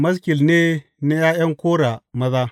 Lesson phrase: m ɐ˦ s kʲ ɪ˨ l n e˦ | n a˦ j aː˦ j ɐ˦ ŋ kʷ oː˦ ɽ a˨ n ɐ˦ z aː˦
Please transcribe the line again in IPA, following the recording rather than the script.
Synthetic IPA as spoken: m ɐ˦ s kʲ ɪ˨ l n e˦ | n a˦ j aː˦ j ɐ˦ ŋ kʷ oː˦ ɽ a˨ m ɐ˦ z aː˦

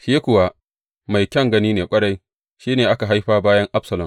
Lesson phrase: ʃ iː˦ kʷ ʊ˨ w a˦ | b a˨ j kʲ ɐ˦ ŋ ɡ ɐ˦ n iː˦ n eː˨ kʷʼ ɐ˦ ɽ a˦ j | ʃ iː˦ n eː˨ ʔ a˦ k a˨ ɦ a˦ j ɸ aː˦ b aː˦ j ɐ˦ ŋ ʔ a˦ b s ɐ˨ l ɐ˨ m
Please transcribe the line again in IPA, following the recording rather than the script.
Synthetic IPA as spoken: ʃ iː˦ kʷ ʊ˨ w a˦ | m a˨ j kʲ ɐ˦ ŋ ɡ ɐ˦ n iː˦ n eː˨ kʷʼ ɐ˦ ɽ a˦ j | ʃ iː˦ n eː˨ ʔ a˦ k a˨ ɦ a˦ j ɸ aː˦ b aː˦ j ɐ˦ ŋ ʔ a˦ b s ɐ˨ l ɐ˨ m

